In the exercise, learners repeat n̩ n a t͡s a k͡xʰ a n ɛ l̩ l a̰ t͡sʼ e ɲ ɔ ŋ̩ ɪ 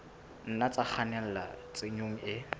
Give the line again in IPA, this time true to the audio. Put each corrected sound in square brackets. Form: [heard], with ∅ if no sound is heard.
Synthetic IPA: n̩ n a t͡s a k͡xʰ a n ɛ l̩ l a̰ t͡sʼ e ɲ [o] ŋ̩ ɪ